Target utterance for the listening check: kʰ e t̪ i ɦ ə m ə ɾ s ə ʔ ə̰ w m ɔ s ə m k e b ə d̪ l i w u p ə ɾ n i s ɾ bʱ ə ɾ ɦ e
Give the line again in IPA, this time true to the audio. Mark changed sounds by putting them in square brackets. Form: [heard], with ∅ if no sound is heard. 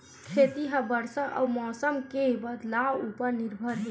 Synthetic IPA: kʰ e t̪ i ɦ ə [b] ə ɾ s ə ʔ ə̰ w m ɔ s ə m k e b ə d̪ l [a] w u p ə ɾ n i [∅] ɾ bʱ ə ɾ ɦ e